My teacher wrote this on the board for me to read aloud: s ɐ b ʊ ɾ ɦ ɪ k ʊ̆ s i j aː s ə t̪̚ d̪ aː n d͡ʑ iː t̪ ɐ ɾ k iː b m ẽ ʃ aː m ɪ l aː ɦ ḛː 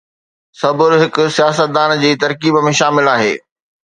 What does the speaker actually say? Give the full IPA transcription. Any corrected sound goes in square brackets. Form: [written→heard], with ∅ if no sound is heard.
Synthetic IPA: s ɐ b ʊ ɾ ɦ ɪ k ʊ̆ s i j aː s ə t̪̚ d̪ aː n d͡ʑ iː t̪ ɐ ɾ k iː b m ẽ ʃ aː m ɪ l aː ɦ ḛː